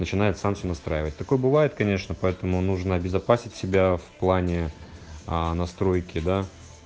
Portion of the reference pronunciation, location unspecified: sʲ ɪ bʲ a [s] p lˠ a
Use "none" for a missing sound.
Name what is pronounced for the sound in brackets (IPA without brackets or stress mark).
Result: f